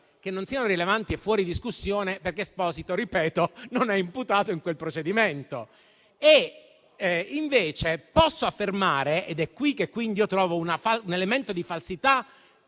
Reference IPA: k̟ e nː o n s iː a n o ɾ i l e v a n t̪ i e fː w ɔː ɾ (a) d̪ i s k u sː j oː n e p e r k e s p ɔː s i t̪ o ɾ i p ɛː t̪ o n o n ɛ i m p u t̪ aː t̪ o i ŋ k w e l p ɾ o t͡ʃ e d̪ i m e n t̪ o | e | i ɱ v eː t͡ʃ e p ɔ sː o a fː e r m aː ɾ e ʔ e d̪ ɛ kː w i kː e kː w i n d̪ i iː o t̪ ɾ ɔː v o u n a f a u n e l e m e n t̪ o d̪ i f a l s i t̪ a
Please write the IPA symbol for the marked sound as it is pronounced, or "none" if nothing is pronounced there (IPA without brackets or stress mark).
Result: i